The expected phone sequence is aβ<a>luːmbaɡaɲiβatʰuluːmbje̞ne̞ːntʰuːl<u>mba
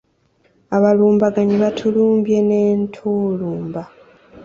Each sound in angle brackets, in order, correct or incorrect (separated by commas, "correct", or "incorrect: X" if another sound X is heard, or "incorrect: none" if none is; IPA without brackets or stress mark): correct, incorrect: uː